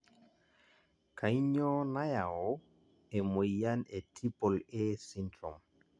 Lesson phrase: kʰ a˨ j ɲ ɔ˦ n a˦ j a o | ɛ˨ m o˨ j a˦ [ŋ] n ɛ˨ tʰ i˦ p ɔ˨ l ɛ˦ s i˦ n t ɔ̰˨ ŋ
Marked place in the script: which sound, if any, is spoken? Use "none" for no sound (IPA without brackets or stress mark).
none